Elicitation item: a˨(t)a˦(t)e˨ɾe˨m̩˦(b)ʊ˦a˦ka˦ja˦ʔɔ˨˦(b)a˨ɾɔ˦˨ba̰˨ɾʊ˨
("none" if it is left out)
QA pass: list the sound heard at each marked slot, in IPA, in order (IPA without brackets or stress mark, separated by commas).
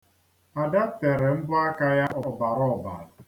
d, t, b, b